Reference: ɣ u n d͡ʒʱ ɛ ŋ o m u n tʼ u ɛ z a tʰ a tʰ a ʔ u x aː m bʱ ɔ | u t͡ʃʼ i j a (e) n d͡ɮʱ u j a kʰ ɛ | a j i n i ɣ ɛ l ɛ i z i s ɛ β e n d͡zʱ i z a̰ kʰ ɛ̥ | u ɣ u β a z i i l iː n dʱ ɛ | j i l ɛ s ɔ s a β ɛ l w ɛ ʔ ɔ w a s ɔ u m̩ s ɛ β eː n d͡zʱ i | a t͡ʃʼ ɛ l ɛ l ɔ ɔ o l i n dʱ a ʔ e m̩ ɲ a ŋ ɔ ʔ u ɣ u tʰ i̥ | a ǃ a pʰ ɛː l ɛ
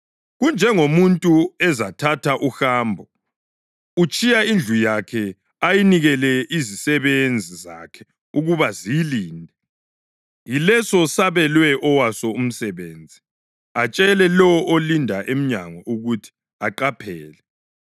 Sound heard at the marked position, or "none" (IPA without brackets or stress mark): i